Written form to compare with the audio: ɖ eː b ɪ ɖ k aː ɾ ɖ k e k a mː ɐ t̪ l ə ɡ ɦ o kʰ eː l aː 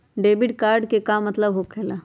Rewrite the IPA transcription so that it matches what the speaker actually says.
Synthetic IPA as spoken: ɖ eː b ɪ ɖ k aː ɾ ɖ k e k a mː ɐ t̪ l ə b ɦ o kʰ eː l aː